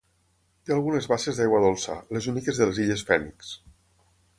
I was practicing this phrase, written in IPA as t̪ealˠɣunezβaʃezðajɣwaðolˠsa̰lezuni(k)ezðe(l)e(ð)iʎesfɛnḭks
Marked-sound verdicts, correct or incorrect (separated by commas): correct, correct, incorrect